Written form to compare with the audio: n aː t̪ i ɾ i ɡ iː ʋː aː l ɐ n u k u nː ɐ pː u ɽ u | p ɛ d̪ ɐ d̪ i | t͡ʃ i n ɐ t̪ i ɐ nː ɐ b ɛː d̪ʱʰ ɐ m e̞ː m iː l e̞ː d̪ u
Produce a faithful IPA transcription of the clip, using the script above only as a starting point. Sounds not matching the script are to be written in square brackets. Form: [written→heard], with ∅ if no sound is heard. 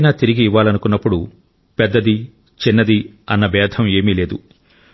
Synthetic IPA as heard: n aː t̪ i ɾ i ɡ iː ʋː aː l ɐ n u k u nː ɐ pː u ɽ u | p ɛ [d̪→d̪ː] ɐ d̪ i | t͡ʃ i [n→nː] ɐ [t̪→d̪] i ɐ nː ɐ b ɛː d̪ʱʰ ɐ m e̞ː m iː l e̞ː d̪ u